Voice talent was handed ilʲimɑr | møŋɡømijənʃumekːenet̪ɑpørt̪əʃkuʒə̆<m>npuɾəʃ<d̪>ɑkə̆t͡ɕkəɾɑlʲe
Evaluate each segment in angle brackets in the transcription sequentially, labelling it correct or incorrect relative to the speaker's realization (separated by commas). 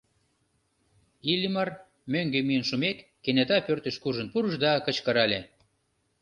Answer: incorrect, correct